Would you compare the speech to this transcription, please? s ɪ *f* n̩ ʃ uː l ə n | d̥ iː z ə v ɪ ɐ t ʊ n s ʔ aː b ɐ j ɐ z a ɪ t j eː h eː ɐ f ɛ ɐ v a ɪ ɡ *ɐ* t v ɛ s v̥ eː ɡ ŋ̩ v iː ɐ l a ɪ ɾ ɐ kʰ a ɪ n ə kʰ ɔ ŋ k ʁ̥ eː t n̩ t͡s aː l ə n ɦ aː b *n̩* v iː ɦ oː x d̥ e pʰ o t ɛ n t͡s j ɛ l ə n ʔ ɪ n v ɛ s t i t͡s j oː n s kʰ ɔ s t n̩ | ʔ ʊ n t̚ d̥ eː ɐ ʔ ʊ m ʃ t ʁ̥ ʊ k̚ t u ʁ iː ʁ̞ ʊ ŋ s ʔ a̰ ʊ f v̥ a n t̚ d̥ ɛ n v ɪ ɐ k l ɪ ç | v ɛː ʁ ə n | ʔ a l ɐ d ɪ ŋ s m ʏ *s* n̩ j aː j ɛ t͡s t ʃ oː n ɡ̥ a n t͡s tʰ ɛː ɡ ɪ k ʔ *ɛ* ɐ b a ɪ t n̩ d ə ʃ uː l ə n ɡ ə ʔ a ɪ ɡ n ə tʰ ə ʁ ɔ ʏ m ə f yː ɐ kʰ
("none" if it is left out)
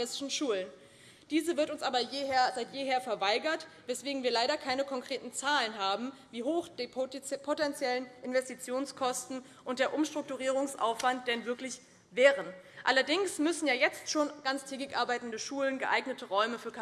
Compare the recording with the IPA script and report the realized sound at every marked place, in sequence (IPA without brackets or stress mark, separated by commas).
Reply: ʃ, ɐ, m̩, s, a